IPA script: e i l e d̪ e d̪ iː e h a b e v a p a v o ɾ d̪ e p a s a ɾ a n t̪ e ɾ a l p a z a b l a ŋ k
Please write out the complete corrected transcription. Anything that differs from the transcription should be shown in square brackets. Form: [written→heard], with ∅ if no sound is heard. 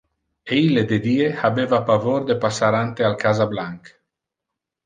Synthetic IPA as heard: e i l e d̪ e d̪ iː e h a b e v a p a v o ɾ d̪ e p a s a ɾ a n t̪ e [ɾ→∅] a l [p→k] a z a b l a ŋ k